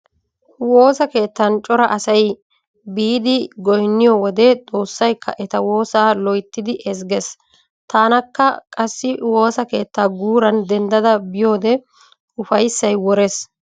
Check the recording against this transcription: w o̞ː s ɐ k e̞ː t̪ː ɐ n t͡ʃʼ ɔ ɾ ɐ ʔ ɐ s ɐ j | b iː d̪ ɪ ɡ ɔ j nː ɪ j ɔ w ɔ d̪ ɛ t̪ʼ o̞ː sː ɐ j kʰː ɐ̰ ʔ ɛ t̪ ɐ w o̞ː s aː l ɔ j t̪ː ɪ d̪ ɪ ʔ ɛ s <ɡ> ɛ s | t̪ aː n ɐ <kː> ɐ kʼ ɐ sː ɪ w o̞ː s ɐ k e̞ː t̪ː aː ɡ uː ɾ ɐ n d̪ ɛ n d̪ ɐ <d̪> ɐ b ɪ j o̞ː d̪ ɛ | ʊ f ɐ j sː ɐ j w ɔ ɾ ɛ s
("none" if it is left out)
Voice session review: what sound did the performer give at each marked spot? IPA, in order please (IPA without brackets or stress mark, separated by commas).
ɡ, kː, d̪